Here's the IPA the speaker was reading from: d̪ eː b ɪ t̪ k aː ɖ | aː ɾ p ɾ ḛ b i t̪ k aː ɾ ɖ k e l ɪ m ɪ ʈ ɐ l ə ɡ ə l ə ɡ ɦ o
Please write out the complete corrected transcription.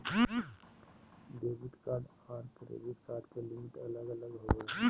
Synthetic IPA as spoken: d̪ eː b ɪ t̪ k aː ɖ | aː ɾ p ɾ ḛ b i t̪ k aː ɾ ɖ k e l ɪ m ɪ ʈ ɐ l ə ɡ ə l ə ɡ ɦ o